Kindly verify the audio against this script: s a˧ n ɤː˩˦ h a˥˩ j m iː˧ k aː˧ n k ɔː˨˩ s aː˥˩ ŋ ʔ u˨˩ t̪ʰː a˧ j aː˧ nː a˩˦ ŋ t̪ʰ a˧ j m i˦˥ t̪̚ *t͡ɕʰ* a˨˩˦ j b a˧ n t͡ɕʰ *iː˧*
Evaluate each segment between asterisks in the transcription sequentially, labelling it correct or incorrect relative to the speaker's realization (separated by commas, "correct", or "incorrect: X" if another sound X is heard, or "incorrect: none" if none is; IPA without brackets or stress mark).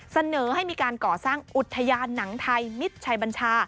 correct, incorrect: aː˧